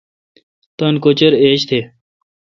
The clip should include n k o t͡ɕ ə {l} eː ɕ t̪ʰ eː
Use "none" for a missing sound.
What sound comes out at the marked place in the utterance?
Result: ɾ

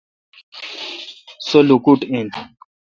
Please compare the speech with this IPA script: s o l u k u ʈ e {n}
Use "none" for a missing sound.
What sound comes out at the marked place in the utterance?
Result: n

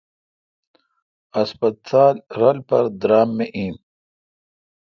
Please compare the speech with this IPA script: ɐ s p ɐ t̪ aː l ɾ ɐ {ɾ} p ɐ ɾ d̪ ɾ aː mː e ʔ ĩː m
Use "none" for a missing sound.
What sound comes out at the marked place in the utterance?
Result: l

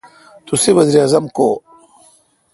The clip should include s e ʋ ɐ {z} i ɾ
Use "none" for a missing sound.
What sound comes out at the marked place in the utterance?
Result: z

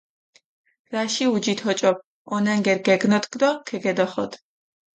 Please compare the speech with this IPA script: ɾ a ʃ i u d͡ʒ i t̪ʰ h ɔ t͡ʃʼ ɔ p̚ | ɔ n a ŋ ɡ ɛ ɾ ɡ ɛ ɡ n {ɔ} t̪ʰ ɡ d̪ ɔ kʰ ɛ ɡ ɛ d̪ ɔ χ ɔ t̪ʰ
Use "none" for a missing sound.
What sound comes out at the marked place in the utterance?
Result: ɔ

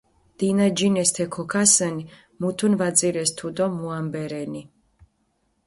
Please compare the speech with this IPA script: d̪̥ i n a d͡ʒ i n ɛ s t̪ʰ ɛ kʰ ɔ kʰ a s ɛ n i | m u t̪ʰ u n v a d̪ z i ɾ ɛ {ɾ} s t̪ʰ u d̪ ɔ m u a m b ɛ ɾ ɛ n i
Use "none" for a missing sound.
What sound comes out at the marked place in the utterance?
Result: none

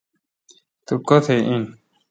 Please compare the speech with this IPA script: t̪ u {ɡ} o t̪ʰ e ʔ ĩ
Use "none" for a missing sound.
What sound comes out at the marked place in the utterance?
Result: k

